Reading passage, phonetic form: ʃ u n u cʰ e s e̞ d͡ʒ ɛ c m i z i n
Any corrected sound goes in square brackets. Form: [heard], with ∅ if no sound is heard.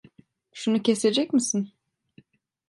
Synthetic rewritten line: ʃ u n u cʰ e s e̞ d͡ʒ ɛ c m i [s] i n